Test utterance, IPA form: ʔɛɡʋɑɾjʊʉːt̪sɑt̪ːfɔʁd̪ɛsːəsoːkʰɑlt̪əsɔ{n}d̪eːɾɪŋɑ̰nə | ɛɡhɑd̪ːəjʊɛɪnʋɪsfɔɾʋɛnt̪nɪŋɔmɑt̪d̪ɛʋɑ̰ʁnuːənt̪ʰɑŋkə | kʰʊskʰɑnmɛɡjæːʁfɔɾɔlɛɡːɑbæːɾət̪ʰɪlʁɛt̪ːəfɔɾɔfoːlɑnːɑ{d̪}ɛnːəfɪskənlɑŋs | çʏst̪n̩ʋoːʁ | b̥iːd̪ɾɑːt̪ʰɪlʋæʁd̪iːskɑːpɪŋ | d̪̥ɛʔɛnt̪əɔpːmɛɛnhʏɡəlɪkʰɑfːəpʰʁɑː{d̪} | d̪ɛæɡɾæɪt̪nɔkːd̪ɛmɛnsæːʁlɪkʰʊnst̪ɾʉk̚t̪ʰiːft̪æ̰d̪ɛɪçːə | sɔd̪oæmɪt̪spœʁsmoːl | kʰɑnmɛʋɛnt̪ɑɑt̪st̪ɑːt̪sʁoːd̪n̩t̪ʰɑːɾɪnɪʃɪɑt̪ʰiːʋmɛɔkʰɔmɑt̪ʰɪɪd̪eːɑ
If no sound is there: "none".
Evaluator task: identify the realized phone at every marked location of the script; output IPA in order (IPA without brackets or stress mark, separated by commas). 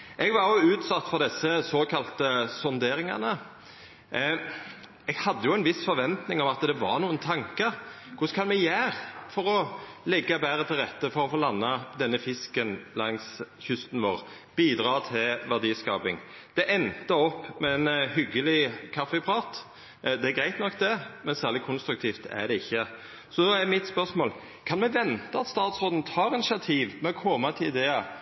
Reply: n, d̪, t̪